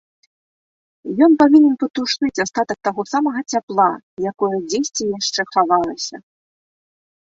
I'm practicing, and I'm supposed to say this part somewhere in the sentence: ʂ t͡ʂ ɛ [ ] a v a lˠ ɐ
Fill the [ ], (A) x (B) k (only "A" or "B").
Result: A